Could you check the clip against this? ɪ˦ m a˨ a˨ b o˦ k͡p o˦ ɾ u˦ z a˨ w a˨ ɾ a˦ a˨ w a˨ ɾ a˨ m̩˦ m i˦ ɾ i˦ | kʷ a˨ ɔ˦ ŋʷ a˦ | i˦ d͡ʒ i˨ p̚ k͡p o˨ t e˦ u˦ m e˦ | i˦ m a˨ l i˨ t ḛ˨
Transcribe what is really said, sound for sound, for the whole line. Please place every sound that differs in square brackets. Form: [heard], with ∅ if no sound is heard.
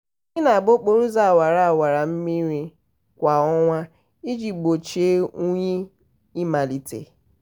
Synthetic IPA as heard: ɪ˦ [n] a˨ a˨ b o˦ k͡p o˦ ɾ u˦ z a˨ w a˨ ɾ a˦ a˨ w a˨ ɾ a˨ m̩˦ m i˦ ɾ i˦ | kʷ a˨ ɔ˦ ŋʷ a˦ | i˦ d͡ʒ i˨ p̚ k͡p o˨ [t͡ʃ] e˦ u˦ [ɲ] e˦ | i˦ m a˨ l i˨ t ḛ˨